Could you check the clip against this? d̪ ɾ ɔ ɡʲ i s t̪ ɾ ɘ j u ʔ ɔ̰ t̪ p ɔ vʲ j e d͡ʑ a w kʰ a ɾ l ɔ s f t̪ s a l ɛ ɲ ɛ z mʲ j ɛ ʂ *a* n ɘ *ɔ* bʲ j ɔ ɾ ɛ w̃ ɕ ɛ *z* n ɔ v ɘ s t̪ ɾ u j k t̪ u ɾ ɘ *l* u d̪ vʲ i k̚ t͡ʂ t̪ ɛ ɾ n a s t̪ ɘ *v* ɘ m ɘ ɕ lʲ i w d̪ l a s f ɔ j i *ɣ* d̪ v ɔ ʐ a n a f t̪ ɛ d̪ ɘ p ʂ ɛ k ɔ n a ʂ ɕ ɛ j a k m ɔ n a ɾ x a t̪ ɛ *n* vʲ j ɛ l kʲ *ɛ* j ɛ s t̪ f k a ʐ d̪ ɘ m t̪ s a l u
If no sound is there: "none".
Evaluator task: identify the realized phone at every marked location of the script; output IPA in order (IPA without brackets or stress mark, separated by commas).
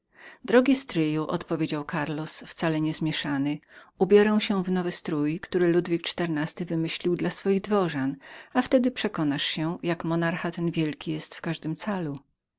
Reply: a, u, v, l, v, ɣ, n, i